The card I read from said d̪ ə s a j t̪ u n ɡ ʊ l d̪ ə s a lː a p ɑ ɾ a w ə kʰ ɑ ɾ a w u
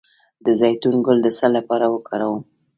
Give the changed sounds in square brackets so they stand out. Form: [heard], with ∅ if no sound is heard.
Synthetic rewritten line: d̪ ə [z] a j t̪ u n ɡ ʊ l d̪ ə s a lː a p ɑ ɾ a w ə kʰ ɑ ɾ a w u